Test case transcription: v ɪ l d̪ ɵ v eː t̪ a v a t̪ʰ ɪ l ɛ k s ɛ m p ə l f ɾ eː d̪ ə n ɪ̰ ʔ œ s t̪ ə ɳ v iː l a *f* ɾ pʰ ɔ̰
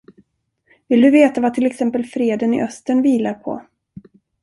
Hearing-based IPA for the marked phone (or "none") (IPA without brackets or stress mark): none